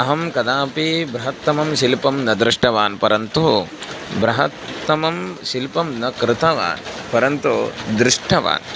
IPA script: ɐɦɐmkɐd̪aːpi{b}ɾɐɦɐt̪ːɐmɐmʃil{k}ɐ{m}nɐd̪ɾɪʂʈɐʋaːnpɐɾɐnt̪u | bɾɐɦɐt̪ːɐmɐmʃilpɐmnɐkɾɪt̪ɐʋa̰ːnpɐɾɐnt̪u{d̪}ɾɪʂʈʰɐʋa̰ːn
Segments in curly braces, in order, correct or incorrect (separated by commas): correct, incorrect, correct, correct